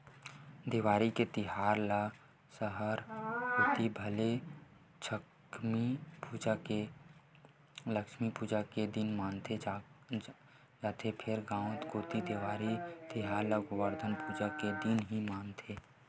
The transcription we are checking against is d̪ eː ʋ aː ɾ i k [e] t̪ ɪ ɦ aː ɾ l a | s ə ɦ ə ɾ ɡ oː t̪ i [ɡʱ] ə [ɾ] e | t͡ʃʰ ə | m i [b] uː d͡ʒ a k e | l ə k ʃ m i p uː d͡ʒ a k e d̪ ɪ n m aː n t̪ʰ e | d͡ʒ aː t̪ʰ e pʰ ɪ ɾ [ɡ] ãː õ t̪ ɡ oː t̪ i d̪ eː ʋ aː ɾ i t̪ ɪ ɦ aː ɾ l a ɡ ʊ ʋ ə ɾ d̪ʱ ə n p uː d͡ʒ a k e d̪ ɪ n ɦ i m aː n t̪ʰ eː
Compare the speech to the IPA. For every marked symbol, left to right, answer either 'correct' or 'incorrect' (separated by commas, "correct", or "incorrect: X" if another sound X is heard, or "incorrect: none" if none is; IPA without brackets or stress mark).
correct, incorrect: bʱ, incorrect: l, incorrect: p, correct